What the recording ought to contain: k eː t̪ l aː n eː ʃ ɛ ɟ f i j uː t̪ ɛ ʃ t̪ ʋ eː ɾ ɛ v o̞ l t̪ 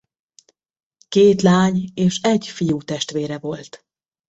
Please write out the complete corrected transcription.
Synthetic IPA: k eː t̪ l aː ɲ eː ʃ ɛ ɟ f i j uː t̪ ɛ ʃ t̪ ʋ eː ɾ ɛ v o̞ l t̪